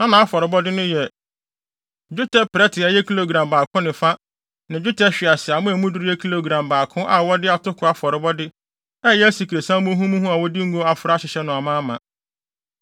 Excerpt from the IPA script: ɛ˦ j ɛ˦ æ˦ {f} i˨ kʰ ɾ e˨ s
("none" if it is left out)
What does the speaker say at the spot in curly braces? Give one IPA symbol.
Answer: s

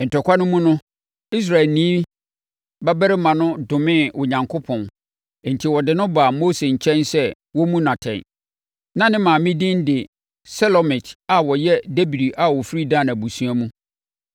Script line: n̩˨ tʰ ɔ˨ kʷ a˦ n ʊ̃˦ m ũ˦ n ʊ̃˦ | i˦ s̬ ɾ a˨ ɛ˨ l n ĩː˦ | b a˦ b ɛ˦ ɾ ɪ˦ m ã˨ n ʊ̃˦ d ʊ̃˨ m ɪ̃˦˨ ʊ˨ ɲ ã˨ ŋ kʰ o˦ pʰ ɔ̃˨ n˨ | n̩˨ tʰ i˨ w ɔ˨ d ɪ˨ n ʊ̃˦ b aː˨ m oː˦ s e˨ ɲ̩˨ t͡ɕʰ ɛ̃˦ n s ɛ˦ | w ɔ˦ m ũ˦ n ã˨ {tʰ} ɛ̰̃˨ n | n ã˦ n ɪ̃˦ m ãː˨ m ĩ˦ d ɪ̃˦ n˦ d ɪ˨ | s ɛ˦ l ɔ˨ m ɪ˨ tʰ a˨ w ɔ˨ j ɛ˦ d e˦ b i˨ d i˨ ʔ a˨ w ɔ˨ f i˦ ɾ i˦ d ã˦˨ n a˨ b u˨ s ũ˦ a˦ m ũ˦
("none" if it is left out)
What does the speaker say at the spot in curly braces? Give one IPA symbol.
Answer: tʰ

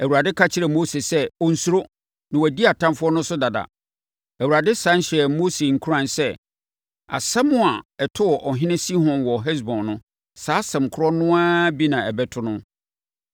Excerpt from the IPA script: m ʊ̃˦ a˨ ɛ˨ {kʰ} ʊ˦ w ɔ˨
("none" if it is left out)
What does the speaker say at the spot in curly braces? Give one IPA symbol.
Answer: tʰ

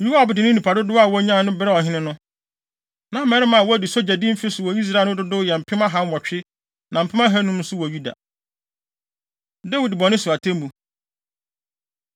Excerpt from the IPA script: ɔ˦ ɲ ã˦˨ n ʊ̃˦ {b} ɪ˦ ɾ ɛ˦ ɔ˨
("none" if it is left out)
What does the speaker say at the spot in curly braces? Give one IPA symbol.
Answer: b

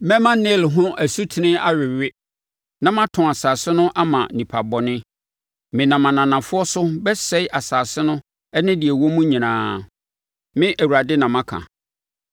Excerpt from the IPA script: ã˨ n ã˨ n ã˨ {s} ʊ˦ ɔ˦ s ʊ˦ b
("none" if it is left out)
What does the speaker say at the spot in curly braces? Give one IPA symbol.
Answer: f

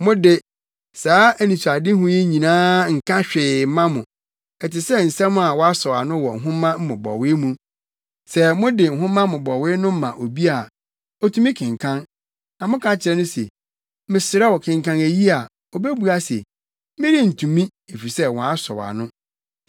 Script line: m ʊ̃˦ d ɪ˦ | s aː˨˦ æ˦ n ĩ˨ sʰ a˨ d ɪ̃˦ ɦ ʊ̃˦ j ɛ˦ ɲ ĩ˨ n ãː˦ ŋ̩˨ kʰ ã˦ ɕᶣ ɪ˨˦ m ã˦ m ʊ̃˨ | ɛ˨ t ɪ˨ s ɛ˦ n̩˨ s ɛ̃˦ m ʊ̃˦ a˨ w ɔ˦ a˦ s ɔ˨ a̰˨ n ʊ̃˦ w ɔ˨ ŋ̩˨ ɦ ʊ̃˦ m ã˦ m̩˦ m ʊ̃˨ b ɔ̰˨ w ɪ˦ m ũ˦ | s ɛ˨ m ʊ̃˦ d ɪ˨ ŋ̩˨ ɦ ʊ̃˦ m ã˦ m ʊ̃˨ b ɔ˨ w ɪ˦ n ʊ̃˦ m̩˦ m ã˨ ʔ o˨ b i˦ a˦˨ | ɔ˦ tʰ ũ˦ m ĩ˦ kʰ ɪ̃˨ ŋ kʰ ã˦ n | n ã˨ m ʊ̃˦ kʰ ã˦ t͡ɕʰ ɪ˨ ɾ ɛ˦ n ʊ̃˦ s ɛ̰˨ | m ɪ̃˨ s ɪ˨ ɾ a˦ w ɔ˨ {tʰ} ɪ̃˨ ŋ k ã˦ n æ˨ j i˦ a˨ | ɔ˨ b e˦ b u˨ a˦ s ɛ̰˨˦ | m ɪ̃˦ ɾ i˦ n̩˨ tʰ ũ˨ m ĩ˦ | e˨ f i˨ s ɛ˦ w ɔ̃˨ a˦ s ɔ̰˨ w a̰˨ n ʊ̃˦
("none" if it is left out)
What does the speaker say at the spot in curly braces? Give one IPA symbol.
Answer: kʰ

